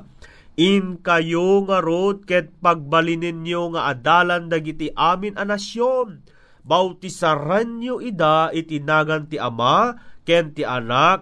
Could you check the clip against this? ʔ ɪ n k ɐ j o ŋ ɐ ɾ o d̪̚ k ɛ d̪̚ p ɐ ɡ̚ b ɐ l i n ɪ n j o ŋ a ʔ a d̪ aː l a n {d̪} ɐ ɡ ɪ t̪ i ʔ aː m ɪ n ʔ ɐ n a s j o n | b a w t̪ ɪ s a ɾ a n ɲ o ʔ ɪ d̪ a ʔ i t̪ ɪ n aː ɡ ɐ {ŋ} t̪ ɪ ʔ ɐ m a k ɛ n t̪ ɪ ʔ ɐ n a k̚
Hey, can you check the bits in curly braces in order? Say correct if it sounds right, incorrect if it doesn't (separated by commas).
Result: correct, incorrect